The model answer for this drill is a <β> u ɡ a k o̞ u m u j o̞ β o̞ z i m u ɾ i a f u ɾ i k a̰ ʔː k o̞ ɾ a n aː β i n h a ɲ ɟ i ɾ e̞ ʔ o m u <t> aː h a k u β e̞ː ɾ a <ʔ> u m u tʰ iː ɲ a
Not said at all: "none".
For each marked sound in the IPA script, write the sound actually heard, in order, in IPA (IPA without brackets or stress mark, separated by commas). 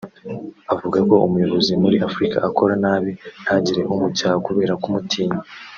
v, c, k